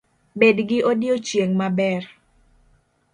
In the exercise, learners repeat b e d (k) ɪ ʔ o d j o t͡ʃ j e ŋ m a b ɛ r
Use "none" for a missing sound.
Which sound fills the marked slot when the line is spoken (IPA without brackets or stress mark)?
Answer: ɡ